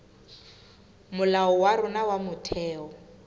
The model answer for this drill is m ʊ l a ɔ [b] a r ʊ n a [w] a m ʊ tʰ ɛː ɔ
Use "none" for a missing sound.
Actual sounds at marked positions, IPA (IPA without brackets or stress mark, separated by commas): w, w